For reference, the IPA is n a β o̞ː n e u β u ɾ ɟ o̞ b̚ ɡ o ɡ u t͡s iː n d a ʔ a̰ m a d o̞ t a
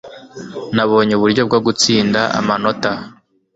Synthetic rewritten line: n a β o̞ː ɲ e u β u ɾ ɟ o̞ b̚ ɡ o ɡ u t͡s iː n d a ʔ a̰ m a n o̞ t a